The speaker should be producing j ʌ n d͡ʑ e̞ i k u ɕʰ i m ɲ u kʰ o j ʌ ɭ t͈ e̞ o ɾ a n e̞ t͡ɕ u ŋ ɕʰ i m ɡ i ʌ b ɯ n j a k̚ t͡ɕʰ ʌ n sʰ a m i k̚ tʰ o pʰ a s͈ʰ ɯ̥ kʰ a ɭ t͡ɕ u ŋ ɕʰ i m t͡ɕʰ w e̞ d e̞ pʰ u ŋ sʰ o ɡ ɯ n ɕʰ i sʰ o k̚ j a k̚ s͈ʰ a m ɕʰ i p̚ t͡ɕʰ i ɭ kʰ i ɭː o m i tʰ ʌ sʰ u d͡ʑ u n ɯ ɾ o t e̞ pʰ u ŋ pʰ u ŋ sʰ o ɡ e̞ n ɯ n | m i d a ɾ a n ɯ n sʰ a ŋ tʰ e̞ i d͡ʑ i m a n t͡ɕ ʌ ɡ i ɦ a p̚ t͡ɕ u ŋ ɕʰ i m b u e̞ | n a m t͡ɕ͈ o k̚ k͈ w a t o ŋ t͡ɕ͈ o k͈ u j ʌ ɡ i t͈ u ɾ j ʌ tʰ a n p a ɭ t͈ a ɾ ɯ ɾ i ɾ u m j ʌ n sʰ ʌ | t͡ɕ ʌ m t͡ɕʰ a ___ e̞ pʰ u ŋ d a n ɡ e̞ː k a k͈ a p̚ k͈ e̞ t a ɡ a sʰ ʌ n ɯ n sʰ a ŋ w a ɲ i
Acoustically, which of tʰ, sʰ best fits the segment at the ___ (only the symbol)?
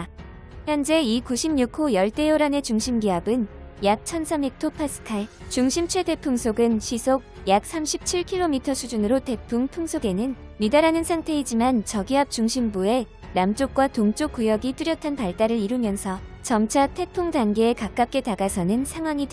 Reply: tʰ